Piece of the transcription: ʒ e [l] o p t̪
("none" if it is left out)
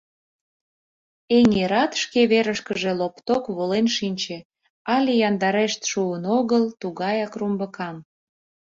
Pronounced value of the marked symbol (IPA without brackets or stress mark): l